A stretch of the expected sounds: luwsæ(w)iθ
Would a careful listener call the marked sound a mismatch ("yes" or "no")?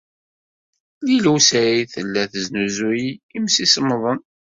yes